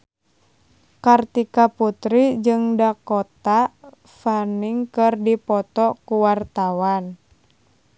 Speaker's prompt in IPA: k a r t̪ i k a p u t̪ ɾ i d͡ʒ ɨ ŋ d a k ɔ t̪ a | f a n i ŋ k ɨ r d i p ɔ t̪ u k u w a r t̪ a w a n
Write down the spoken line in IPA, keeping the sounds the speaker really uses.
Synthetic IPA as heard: k a r t̪ i k a p u t̪ ɾ i d͡ʒ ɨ ŋ d a k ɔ t̪ a | f a n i ŋ k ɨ r d i p ɔ t̪ ɔ k u w a r t̪ a w a n

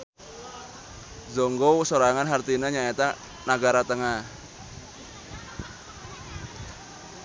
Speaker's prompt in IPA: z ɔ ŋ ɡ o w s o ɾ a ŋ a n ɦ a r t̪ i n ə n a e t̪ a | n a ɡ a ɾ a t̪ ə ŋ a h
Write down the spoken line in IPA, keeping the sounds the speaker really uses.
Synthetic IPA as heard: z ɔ ŋ ɡ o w s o ɾ a ŋ a n ɦ a r t̪ i n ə ɲ a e t̪ a | n a ɡ a ɾ a t̪ ə ŋ a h

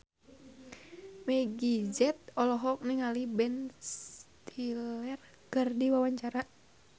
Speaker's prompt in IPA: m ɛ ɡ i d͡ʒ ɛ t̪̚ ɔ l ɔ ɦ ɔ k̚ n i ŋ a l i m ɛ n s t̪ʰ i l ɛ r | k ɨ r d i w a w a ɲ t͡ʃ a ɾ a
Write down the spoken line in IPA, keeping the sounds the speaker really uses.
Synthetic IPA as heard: m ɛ ɡ i d͡ʒ ɛ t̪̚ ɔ l ɔ ɦ ɔ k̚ n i ŋ a l i b ɛ n s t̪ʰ i l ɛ r | k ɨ r d i w a w a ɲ t͡ʃ a ɾ a

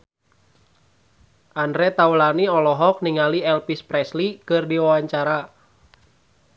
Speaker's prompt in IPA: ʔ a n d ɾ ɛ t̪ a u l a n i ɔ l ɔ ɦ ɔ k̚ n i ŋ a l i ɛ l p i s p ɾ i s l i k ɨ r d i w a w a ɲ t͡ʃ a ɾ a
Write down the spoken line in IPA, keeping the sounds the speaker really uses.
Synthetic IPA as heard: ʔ a n d ɾ ɛ t̪ a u l a n i ɔ l ɔ ɦ ɔ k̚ n i ŋ a l i ɛ l p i s p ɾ ɛ s l i k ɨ r d i w a w a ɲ t͡ʃ a ɾ a

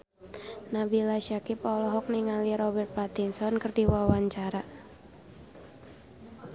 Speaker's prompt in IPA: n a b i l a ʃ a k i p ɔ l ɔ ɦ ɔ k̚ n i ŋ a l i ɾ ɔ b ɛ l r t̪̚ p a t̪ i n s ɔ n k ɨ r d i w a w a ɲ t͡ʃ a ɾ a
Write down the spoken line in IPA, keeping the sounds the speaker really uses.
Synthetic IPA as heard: n a b i l a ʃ a k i p ɔ l ɔ ɦ ɔ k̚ n i ŋ a l i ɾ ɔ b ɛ r t̪̚ p a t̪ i n s ɔ n k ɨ r d i w a w a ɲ t͡ʃ a ɾ a

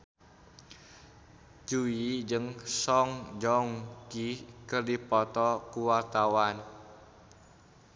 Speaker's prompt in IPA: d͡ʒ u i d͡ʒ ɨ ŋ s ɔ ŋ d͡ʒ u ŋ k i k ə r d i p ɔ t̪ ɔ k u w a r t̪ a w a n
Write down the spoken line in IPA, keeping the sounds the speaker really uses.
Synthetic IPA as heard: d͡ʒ u i d͡ʒ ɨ ŋ s ɔ ŋ d͡ʒ ɔ ŋ k i k ə r d i p ɔ t̪ ɔ k u w a r t̪ a w a n

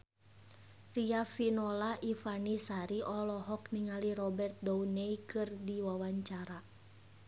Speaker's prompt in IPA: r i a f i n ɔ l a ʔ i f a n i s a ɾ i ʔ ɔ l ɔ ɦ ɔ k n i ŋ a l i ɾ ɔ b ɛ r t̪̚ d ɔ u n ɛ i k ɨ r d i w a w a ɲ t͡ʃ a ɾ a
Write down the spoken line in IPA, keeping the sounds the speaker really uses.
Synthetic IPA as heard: r i a f i n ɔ l a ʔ i f a n i s a ɾ i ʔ ɔ l ɔ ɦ ɔ k n i ŋ a l i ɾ ɔ b ɛ r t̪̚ d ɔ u n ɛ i k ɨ r d i w a w a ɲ t͡ʃ a ɾ a

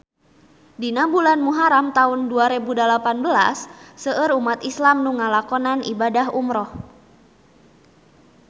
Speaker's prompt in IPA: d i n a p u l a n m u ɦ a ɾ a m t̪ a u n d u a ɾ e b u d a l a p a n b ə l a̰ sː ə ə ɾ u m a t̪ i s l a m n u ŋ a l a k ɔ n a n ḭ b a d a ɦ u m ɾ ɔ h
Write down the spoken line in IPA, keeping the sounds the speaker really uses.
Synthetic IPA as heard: d i n a b u l a n m u ɦ a ɾ a m t̪ a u n d u a ɾ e b u d a l a p a n b ə l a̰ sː ə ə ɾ u m a t̪ i s l a m n u ŋ a l a k ɔ n a n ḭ b a d a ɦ u m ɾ ɔ h

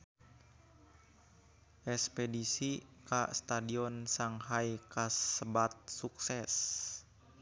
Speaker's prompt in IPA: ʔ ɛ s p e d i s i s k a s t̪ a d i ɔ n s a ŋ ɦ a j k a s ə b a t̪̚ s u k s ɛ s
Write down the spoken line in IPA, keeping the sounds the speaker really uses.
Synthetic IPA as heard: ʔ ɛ s p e d i s i k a s t̪ a d i ɔ n s a ŋ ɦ a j k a s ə b a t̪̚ s u k s ɛ s

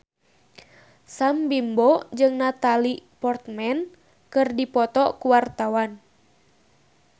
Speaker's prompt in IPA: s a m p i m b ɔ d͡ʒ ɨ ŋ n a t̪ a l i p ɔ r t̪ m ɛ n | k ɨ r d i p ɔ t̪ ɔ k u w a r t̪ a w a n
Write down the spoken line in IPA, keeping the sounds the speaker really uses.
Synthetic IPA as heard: s a m b i m b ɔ d͡ʒ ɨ ŋ n a t̪ a l i p ɔ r t̪ m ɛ n | k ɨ r d i p ɔ t̪ ɔ k u w a r t̪ a w a n

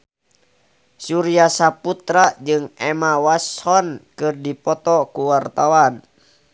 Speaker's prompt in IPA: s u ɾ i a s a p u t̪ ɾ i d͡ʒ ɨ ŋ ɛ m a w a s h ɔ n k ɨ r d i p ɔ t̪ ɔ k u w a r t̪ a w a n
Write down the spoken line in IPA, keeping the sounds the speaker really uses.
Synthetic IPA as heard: s u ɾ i a s a p u t̪ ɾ a d͡ʒ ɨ ŋ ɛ m a w a s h ɔ n k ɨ r d i p ɔ t̪ ɔ k u w a r t̪ a w a n

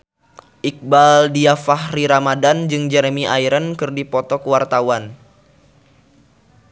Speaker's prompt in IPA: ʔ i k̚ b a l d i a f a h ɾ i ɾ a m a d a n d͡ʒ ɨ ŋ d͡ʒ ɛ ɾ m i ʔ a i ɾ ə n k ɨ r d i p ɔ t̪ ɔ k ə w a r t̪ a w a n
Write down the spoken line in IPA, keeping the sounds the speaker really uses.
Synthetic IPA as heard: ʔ i k̚ b a l d i a f a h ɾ i ɾ a m a d a n d͡ʒ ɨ ŋ d͡ʒ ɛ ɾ m i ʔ a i ɾ ə n k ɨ r d i p ɔ t̪ ɔ k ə w a r t̪ a w a n

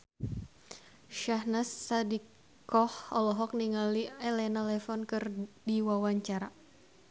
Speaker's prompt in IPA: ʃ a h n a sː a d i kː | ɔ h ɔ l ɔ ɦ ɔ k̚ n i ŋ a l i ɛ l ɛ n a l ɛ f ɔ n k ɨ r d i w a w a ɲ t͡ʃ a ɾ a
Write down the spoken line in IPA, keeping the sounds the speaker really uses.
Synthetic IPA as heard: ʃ a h n a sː a d i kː | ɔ h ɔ l ɔ ɦ ɔ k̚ n i ŋ a l i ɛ l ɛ n a l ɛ f ɔ n k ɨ r d i w a w a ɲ t͡ʃ a ɾ a

